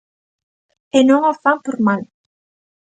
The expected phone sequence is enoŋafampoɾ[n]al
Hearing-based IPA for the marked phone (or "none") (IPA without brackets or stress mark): m